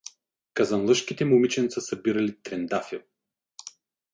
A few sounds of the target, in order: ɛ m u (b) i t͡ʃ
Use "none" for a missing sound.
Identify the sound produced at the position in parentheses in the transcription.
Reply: m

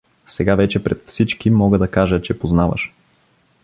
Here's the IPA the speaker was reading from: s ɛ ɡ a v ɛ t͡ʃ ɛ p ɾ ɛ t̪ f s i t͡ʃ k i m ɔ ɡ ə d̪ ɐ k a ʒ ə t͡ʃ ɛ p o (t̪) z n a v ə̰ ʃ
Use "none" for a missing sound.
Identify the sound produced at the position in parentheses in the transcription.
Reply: none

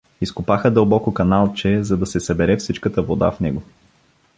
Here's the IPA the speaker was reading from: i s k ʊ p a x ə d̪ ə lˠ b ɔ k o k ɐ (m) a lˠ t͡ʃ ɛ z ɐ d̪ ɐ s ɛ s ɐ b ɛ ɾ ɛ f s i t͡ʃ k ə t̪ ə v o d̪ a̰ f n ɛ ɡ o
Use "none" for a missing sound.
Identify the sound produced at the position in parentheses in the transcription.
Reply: n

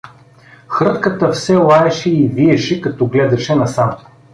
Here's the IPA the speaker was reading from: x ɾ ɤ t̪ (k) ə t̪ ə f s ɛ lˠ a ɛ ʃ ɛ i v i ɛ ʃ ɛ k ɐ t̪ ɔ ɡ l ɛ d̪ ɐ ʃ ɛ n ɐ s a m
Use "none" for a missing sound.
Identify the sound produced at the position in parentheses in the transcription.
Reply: k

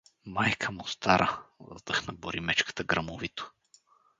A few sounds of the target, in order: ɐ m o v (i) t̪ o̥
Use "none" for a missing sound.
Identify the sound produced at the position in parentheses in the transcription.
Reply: i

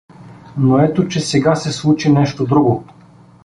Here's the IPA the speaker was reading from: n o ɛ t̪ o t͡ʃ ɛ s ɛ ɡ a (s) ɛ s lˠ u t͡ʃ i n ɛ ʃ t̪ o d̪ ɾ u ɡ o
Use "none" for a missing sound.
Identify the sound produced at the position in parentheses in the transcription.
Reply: s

